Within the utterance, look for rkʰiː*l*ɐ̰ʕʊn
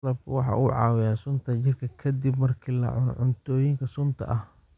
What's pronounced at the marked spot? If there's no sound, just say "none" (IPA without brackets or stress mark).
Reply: l